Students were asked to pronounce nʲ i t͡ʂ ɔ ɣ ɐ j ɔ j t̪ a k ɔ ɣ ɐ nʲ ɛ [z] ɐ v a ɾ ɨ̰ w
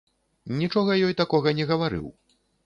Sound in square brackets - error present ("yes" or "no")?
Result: yes